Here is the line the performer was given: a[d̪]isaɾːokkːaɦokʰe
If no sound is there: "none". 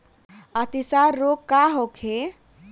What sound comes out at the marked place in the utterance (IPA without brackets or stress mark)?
t̪